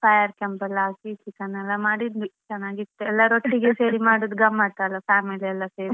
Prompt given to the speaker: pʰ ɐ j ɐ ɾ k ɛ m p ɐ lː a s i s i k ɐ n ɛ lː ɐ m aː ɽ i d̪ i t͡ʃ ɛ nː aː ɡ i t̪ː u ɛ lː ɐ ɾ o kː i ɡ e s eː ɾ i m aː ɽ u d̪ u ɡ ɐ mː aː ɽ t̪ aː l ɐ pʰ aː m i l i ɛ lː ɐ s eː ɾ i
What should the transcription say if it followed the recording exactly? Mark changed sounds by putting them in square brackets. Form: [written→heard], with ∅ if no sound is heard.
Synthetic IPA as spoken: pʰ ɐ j ɐ ɾ k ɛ m p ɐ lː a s i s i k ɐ n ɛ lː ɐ m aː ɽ i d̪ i t͡ʃ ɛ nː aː ɡ i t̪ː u ɛ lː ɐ ɾ o [kː→ʈː] i ɡ e s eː ɾ i m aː ɽ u d̪ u ɡ ɐ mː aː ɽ t̪ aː l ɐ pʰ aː m i l i ɛ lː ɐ s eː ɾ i